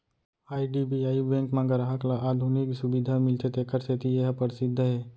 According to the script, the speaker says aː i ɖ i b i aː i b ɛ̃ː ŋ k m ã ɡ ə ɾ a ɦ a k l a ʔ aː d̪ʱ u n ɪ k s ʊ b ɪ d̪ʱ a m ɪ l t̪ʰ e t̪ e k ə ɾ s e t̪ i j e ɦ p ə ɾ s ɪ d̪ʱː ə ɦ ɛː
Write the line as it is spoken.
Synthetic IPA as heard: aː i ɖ i b i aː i b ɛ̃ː ŋ k m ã ɡ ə ɾ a ɦ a k l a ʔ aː d̪ʱ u n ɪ k s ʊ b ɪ d̪ʱ a m ɪ l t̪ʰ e t̪ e k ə ɾ s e t̪ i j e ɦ p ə ɾ s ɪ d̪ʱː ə ɦ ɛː